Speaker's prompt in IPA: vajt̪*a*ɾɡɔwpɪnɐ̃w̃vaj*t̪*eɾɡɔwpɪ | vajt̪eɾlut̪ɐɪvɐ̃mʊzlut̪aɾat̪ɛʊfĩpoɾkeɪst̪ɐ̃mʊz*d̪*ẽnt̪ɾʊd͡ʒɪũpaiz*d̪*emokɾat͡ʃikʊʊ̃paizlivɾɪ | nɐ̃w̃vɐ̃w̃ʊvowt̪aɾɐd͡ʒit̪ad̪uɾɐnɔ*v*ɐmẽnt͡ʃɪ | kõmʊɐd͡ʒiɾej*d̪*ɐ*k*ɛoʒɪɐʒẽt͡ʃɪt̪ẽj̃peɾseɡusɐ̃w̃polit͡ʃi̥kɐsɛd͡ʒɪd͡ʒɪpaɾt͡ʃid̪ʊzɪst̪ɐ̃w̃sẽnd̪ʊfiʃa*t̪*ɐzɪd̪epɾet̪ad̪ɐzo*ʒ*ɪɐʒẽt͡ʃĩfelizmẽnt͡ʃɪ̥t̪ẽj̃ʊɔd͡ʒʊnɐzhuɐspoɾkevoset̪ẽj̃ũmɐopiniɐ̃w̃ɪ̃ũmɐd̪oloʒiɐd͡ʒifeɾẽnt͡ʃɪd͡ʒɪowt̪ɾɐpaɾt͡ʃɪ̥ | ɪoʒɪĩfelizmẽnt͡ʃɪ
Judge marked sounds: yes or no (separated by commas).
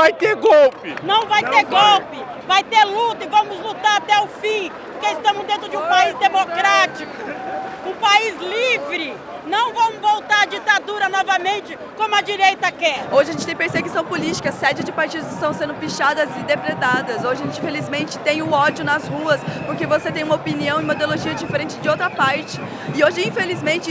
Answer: no, yes, yes, yes, yes, no, yes, no, yes